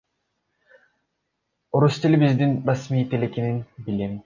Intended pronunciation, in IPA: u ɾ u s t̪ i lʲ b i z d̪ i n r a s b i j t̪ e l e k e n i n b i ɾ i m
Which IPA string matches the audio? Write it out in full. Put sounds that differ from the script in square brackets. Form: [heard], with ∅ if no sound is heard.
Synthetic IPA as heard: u ɾ u s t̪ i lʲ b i z d̪ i n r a s [m] i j t̪ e l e k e n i n b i [l] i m